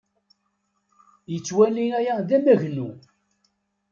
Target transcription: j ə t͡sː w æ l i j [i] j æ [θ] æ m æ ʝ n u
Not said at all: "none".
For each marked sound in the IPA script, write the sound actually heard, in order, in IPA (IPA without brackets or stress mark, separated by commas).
æ, ð